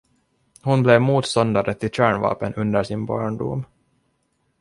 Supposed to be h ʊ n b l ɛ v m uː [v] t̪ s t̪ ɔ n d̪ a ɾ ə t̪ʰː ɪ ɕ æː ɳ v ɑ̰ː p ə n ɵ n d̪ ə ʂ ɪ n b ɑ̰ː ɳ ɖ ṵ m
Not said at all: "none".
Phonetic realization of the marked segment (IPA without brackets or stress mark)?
none